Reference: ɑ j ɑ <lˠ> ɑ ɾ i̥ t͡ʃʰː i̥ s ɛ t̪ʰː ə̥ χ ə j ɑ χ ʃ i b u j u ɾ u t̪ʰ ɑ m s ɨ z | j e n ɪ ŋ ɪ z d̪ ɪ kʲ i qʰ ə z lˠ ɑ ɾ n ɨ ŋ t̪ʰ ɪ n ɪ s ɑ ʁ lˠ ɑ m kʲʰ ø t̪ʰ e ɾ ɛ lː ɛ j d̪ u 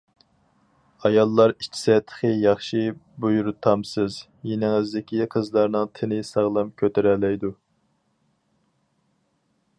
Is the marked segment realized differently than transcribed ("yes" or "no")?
yes